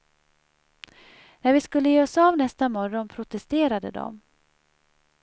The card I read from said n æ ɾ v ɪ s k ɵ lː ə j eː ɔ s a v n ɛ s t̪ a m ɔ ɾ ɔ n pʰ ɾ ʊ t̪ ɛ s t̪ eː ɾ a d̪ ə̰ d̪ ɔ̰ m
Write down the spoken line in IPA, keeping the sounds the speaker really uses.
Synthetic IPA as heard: n æ ɾ v ɪ s k ɵ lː ə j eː ɔ s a v n ɛ s t̪ a m ɔ ɾ ɔ n pʰ ɾ ʊ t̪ ɛ s t̪ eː ɾ a d̪ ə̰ d̪ ɔ̰ m